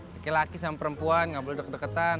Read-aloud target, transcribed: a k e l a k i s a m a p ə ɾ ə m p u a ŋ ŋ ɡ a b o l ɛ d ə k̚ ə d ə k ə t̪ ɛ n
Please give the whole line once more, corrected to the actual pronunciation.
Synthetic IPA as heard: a k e l a k i s a m a p ə ɾ ə m p u a n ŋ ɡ a b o l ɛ d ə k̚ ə d ə k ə t̪ a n